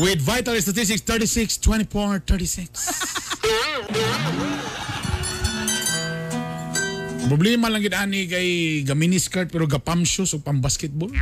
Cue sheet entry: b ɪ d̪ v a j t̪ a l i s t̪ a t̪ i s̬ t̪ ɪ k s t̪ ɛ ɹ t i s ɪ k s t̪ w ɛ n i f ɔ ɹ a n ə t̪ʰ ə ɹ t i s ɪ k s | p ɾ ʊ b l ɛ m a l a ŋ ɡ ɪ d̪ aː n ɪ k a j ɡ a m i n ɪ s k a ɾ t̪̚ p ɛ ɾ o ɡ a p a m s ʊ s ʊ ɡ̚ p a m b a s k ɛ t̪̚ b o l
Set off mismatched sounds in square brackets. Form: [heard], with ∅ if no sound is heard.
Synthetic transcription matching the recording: [w] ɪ d̪ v a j t̪ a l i s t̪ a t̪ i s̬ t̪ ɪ k s t̪ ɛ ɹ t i s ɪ k s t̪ w ɛ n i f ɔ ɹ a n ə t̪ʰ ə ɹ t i s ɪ k s | p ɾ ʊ b l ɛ m a l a ŋ ɡ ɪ d̪ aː n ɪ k a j ɡ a m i n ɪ s k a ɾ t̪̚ p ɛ ɾ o ɡ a p a m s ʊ s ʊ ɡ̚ p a m b a s k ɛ t̪̚ b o l